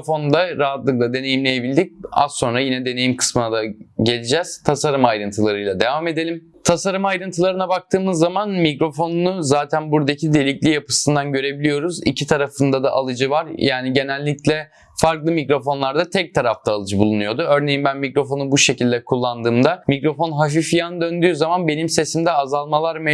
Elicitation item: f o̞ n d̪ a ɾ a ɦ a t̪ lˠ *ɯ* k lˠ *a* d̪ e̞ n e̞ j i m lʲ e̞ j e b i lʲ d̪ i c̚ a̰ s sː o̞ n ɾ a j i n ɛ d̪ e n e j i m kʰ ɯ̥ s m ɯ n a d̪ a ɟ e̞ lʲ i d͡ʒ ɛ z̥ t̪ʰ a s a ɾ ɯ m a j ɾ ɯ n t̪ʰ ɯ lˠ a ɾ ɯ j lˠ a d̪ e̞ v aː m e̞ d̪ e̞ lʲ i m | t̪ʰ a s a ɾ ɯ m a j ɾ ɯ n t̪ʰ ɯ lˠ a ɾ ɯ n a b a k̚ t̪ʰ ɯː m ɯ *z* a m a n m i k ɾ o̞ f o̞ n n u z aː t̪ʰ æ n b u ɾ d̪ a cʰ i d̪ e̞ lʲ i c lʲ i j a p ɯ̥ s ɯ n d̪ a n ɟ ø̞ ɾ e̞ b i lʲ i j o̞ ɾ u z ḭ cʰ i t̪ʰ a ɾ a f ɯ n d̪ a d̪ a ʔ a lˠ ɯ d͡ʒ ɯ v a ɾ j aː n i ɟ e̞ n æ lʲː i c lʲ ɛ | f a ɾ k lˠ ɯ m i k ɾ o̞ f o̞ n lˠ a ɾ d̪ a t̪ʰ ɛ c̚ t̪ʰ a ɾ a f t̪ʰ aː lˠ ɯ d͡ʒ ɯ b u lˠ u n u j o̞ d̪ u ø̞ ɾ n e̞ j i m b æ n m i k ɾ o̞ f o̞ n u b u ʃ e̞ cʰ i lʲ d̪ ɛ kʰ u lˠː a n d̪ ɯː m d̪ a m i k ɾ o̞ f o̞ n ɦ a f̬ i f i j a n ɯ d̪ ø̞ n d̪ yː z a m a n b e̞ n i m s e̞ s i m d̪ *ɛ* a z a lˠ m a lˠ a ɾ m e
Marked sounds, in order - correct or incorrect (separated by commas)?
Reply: correct, correct, incorrect, correct